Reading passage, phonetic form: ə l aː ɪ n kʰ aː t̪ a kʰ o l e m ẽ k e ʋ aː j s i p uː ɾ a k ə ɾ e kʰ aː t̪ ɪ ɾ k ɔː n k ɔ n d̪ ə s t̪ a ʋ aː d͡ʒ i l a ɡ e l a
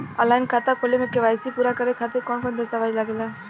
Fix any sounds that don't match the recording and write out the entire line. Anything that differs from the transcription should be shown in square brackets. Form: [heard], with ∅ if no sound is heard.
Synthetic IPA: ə l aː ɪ n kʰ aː t̪ a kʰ o l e m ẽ k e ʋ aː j s i p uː ɾ a k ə ɾ e kʰ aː t̪ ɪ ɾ k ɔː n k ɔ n d̪ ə s t̪ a ʋ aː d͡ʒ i l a ɡ e l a